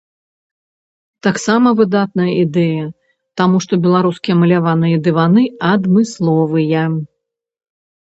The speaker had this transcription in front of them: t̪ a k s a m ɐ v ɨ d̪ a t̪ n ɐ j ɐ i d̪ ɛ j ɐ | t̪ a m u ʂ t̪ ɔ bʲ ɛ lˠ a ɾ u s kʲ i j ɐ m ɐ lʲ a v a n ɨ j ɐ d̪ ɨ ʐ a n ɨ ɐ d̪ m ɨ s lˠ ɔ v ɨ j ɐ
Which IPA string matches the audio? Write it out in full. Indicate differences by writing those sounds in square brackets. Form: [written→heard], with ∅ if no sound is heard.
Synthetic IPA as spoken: t̪ a k s a m ɐ v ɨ d̪ a t̪ n ɐ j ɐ i d̪ ɛ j ɐ | t̪ a m u ʂ t̪ ɔ bʲ ɛ lˠ a ɾ u s kʲ i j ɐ m ɐ lʲ a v a n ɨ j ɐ d̪ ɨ [ʐ→v] a n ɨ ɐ d̪ m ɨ s lˠ ɔ v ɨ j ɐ